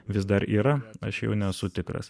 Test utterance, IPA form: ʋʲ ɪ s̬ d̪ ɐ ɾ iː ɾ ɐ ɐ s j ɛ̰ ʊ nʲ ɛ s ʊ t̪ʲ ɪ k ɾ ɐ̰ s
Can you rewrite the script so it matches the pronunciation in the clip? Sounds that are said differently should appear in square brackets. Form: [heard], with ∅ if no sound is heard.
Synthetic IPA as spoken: ʋʲ ɪ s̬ d̪ ɐ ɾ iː ɾ ɐ ɐ [ʃ] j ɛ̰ ʊ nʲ ɛ s ʊ t̪ʲ ɪ k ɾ ɐ̰ s